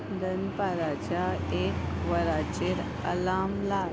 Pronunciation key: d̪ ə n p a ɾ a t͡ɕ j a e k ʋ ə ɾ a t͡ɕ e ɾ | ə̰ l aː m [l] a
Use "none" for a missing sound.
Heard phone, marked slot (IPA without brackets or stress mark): l